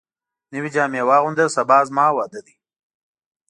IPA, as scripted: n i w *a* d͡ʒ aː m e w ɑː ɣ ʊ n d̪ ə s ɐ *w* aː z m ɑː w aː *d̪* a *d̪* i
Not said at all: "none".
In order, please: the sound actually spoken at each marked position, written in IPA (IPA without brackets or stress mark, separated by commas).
i, b, d̪, d̪